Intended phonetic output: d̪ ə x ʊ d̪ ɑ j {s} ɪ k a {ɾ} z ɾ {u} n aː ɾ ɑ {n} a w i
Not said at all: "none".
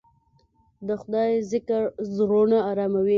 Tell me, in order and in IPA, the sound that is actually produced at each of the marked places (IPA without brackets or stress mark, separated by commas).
z, ɾ, o, m